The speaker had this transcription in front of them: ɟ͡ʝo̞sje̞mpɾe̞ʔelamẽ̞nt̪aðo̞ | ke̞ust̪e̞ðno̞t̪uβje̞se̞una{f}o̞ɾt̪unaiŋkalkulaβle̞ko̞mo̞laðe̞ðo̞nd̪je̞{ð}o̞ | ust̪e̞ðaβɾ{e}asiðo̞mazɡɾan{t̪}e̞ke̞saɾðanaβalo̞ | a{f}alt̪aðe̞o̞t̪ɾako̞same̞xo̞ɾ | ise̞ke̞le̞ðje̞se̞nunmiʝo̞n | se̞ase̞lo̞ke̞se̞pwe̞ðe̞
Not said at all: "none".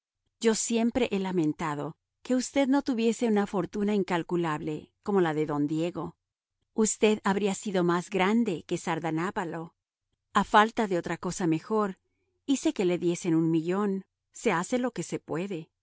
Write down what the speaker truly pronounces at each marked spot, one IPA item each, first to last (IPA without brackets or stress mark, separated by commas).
f, ɣ, i, d̪, f